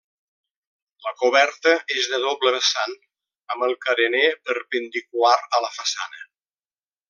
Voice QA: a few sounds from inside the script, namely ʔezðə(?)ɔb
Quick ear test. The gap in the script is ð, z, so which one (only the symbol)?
ð